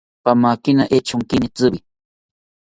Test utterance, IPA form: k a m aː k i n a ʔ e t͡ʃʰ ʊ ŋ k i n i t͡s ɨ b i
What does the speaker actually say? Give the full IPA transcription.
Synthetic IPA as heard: p a m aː k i n a ʔ e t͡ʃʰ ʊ ŋ k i n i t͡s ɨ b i